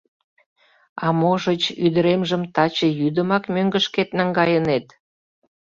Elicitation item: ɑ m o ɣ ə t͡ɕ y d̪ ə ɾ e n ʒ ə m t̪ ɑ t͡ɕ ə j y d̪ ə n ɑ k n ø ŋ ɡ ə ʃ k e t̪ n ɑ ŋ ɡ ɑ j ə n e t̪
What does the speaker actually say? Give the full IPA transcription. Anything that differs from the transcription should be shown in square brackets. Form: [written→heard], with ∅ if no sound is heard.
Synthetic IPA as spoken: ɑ m o [ɣ→ʒ] ə t͡ɕ y d̪ ə ɾ e [n→m] ʒ ə m t̪ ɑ t͡ɕ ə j y d̪ ə [n→m] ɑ k [n→m] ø ŋ ɡ ə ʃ k e t̪ n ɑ ŋ ɡ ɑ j ə n e t̪